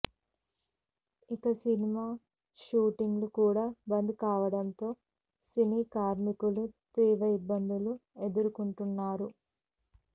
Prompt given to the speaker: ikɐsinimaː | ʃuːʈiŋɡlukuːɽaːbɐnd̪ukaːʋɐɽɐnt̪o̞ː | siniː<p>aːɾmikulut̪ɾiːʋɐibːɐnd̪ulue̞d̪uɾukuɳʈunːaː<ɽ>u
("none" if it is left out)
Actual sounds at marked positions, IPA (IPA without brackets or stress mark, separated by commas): k, ɾ